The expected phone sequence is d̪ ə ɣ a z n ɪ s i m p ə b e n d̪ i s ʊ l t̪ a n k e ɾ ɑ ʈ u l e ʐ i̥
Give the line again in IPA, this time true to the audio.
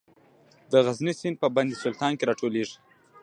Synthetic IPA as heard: d̪ ə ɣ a z n i s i n p ə b a n d̪ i s ʊ l t̪ ɑ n k e ɾ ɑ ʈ o l e ʐ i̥